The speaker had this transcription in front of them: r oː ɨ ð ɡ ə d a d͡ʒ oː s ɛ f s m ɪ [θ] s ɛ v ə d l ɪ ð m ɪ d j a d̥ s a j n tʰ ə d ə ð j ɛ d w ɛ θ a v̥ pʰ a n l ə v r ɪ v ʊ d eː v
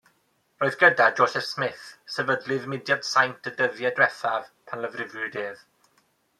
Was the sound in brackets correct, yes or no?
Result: yes